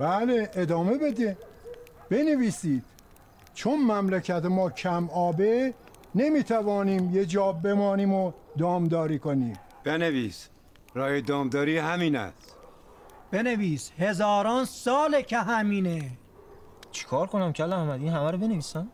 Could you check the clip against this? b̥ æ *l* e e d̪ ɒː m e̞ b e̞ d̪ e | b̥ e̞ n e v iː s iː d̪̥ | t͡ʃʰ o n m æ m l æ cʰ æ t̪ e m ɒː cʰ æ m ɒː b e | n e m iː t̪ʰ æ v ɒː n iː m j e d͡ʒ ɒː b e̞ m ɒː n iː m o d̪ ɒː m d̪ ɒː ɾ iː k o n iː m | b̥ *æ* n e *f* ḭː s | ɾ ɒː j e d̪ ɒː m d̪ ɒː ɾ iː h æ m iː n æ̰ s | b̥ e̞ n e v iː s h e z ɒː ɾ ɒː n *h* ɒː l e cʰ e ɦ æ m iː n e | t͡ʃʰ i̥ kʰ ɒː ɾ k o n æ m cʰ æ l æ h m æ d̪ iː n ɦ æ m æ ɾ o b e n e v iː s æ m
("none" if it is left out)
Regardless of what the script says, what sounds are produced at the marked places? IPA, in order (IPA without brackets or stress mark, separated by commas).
l, e, v, s